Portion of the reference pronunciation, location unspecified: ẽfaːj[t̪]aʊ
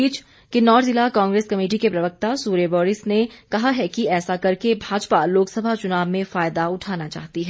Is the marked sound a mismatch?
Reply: yes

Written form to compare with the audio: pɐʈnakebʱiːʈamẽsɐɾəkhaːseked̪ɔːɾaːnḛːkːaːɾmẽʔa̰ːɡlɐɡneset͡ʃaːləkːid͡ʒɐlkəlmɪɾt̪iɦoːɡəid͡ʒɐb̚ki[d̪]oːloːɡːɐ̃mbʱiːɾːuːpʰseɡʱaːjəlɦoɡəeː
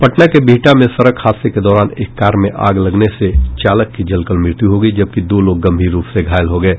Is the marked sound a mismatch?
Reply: no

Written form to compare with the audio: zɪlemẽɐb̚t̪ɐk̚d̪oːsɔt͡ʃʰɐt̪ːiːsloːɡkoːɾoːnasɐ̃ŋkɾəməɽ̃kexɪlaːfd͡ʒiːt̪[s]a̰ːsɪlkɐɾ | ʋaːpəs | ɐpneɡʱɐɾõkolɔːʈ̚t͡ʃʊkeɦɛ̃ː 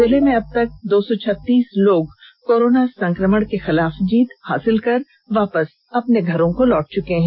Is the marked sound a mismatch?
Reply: yes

